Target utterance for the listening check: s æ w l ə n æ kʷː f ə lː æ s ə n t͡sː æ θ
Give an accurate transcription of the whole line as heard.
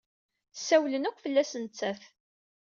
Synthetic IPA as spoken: s æ w l ə n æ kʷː f ə lː æ s ə n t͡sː æ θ